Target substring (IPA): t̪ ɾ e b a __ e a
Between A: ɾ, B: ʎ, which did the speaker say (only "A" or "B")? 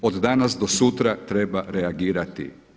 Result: A